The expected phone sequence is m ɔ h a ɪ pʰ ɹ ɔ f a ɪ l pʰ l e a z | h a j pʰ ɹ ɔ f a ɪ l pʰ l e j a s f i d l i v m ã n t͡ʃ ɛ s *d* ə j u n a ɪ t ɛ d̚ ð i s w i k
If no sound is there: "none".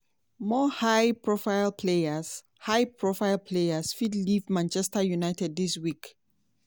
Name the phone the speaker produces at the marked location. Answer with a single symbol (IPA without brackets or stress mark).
t